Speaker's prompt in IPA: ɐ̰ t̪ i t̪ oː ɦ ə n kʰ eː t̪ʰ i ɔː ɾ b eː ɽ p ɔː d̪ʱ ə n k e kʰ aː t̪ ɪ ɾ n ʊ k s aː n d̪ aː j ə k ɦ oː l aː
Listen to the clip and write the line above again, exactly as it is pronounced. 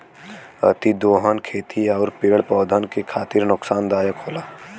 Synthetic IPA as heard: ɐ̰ t̪ i d̪ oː ɦ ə n kʰ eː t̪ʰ i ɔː ɾ p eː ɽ p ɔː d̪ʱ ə n k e kʰ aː t̪ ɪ ɾ n ʊ k s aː n d̪ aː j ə k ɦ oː l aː